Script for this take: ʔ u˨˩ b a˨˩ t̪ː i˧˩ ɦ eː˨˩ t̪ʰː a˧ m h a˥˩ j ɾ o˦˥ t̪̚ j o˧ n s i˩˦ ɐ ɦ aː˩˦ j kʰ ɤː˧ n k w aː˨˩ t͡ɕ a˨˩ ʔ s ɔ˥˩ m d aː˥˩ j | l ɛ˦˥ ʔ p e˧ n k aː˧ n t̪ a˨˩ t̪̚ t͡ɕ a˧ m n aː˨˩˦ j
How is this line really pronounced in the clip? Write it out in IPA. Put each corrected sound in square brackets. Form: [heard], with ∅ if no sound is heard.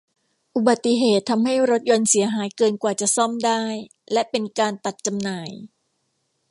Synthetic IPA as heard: ʔ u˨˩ b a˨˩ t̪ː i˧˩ ɦ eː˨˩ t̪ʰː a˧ m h a˥˩ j ɾ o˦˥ t̪̚ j o˧ n s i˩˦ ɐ ɦ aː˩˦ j [k] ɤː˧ n k w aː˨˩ t͡ɕ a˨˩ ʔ s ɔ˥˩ m d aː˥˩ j | l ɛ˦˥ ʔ p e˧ n k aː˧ n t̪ a˨˩ t̪̚ t͡ɕ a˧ m n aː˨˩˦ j